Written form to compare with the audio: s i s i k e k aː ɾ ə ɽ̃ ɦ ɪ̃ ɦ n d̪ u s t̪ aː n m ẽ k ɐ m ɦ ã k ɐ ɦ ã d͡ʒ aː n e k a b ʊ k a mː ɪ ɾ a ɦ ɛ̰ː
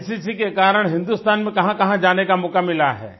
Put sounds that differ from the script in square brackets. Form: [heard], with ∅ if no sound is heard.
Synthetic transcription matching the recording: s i s i k e k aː ɾ ə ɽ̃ ɦ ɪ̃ [∅] n d̪ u s t̪ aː n m ẽ k ɐ [∅] ɦ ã k ɐ ɦ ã d͡ʒ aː n e k a [m] ʊ k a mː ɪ [l] a ɦ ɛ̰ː